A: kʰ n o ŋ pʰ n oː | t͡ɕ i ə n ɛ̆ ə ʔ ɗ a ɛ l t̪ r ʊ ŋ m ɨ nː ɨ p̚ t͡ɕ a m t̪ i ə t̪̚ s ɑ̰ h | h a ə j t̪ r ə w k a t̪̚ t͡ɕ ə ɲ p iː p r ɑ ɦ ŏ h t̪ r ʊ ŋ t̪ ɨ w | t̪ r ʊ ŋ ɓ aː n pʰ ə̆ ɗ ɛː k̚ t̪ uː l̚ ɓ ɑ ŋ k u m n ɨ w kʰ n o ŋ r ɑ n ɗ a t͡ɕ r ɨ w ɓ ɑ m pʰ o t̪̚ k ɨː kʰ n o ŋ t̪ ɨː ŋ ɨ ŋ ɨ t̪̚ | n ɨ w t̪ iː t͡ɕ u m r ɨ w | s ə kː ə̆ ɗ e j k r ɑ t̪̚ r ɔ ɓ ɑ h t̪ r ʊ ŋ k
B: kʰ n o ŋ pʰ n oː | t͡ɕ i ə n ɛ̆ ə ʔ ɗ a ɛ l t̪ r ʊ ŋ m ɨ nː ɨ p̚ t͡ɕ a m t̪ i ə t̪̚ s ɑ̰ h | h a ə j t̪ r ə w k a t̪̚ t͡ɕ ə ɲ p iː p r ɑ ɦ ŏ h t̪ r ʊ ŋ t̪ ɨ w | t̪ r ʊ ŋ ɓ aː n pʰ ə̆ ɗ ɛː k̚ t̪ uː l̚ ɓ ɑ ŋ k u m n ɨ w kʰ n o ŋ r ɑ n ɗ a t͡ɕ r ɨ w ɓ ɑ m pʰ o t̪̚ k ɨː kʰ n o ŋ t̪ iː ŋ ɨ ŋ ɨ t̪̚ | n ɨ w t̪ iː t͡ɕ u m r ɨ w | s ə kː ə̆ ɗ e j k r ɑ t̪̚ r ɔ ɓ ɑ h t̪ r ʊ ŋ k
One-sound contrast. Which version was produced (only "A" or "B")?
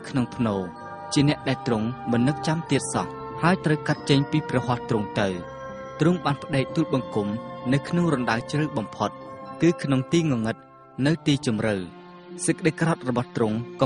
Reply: B